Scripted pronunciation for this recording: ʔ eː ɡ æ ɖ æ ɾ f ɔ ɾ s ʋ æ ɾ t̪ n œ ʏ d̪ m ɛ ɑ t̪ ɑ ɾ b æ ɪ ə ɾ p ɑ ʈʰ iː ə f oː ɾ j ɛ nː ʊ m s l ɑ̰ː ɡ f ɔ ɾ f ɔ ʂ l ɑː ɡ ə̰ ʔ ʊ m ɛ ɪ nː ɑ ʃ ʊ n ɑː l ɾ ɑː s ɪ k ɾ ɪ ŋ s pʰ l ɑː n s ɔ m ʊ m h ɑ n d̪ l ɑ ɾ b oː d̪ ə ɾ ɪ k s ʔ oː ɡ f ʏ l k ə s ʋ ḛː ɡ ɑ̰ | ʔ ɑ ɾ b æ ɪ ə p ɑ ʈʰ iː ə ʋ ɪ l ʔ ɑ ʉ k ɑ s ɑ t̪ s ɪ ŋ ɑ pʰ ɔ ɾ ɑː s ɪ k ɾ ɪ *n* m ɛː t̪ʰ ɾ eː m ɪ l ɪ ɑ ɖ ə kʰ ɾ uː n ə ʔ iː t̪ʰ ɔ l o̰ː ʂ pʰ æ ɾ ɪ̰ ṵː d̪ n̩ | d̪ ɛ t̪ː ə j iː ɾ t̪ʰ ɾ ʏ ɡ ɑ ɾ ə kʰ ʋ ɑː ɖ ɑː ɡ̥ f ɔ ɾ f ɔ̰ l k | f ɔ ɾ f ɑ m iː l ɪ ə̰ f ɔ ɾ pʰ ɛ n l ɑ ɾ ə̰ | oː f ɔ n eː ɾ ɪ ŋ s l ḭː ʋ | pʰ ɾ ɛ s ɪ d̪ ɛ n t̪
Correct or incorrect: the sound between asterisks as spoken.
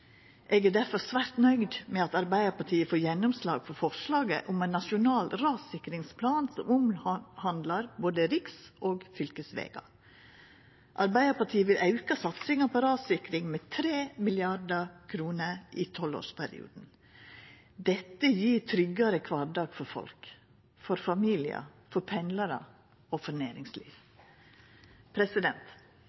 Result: incorrect: ŋ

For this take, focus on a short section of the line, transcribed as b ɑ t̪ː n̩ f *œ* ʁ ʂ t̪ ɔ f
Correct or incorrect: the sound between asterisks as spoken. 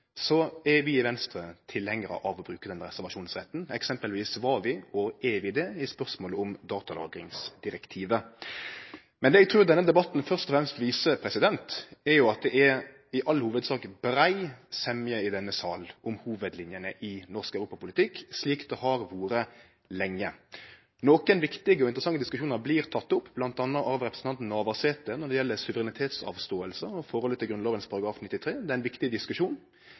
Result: correct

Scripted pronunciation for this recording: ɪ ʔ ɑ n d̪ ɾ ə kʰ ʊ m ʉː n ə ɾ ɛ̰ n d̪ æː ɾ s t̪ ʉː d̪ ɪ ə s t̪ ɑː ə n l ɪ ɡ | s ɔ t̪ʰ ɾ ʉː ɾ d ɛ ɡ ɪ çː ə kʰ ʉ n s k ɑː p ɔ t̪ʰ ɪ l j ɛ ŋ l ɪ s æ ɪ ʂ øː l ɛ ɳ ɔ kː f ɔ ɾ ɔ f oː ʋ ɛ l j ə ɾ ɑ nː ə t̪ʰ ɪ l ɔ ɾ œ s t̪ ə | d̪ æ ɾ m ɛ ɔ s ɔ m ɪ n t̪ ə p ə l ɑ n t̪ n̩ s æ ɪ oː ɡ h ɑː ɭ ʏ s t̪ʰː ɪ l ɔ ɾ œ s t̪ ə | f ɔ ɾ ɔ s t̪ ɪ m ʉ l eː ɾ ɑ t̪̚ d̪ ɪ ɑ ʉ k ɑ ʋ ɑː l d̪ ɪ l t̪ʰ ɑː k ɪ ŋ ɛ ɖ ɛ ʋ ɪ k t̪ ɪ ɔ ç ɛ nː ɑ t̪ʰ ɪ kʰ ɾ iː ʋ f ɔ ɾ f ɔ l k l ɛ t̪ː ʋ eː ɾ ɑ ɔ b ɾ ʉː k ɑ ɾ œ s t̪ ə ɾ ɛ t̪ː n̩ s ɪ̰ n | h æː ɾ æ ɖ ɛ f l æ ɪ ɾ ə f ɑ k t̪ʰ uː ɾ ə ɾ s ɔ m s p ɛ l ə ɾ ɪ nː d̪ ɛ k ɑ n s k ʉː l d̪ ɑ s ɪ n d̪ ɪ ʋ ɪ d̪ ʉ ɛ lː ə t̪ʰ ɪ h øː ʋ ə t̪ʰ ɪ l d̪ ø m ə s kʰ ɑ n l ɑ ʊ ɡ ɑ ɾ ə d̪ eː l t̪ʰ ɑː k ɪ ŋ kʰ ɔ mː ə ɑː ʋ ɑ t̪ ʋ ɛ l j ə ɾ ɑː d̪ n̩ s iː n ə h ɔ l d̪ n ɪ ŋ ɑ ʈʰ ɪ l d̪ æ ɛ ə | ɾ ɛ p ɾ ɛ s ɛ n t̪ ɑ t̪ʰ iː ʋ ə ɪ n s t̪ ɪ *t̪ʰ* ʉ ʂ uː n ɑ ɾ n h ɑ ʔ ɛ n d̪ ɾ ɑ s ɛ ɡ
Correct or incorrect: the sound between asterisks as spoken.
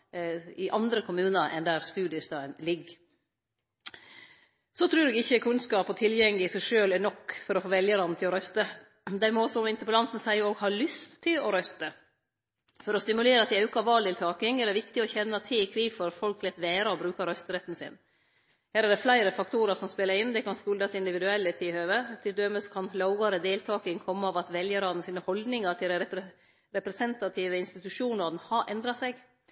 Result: incorrect: t̪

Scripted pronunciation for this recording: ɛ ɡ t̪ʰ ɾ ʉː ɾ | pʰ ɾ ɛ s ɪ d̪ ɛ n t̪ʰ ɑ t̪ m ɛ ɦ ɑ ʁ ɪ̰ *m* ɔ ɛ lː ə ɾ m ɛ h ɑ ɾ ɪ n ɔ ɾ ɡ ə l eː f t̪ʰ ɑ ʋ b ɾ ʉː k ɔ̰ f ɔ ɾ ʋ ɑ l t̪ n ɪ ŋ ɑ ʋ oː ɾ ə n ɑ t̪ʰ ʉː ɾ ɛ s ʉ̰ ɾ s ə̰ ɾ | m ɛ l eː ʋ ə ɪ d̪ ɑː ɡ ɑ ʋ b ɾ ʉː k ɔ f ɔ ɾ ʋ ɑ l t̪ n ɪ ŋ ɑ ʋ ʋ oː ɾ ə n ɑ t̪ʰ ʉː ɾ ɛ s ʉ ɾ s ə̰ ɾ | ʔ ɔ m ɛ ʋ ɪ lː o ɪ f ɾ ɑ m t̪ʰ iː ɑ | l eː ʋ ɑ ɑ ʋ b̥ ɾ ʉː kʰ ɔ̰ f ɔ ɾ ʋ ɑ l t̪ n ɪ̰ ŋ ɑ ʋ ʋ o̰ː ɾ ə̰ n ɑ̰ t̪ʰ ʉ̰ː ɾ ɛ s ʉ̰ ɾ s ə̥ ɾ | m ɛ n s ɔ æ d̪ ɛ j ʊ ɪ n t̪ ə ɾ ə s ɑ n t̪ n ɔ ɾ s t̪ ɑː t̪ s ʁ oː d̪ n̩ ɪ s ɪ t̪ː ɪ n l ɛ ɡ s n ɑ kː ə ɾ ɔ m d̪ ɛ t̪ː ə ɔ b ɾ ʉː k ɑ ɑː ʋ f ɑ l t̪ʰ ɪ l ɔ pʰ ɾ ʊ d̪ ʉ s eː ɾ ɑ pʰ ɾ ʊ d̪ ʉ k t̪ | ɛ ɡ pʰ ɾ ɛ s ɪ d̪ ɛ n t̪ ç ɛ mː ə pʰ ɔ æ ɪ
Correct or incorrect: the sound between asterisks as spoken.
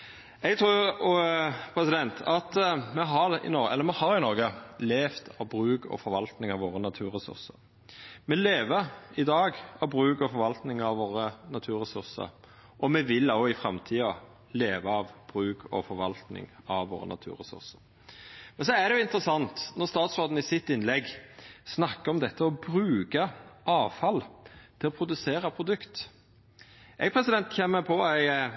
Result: incorrect: n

